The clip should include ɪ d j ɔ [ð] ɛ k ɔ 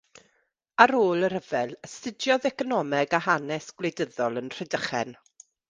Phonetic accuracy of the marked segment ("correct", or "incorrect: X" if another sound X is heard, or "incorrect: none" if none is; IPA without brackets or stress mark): correct